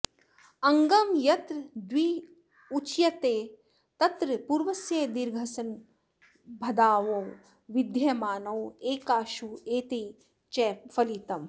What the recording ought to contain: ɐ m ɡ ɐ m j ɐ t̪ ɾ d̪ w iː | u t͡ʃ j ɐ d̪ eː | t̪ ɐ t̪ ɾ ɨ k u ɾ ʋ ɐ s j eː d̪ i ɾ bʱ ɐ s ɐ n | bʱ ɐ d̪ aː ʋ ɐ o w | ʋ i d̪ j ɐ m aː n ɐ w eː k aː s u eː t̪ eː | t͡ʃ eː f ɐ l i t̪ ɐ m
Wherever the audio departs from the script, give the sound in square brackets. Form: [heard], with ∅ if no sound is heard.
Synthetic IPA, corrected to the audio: ɐ [ŋ] ɡ ɐ m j ɐ t̪ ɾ d̪ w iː | u t͡ʃ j ɐ [t̪] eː | t̪ ɐ t̪ ɾ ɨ [p] u ɾ ʋ ɐ s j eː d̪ i ɾ [ɡʱ] ɐ s ɐ n | bʱ ɐ d̪ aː ʋ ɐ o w | ʋ i d̪ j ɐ m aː n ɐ w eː k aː [ʃ] u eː t̪ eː | t͡ʃ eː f ɐ l i t̪ ɐ m